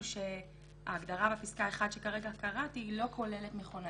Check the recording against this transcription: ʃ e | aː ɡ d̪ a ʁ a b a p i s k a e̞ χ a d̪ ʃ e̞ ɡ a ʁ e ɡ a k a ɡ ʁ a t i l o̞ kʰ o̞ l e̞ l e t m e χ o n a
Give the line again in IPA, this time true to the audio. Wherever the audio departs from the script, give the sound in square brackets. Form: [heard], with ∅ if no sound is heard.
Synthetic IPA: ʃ e | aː ɡ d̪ a ʁ a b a p i s k a e̞ χ a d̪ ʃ e̞ [k] a ʁ e ɡ a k a [∅] ʁ a t i l o̞ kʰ o̞ l e̞ l e t m e χ o n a